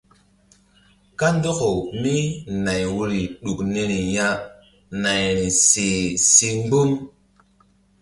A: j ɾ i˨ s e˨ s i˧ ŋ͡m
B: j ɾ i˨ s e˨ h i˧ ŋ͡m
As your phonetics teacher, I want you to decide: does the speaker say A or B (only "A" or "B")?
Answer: A